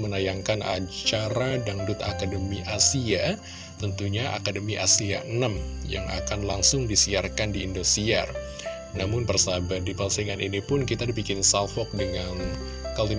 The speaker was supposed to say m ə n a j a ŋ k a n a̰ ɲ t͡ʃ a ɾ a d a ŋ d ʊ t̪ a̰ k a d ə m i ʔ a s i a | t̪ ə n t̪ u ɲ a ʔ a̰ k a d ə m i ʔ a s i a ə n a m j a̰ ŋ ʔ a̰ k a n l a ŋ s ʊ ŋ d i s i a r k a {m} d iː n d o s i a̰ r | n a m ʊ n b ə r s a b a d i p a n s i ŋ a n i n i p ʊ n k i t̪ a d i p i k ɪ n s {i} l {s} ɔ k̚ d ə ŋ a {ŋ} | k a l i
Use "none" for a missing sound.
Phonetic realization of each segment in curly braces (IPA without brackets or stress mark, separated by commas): n, a, f, n